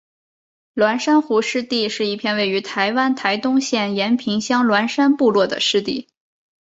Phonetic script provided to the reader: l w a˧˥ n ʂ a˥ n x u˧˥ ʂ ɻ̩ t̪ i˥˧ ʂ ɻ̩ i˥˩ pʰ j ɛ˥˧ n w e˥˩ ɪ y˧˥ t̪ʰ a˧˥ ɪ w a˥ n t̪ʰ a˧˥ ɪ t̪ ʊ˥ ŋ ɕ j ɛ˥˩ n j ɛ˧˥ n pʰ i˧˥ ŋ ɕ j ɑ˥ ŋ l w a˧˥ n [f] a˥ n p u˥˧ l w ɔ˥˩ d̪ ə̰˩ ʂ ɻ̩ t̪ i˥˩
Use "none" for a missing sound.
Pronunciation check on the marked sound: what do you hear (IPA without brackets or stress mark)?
ʂ